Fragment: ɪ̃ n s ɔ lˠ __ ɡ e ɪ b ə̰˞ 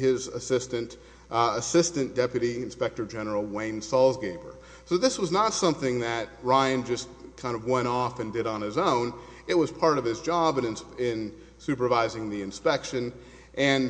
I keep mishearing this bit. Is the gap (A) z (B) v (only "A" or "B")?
A